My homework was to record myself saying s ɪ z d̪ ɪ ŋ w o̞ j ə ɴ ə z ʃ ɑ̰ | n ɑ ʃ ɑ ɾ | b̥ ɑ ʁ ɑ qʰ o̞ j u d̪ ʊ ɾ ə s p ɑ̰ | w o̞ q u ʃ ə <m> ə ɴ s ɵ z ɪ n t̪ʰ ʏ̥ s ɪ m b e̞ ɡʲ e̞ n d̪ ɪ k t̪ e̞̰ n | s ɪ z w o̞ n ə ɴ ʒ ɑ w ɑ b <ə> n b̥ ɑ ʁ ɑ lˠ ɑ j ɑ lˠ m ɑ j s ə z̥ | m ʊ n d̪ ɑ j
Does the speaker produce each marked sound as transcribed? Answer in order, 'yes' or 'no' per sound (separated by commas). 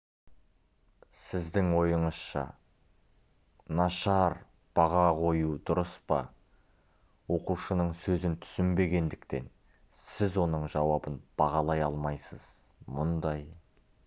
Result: no, yes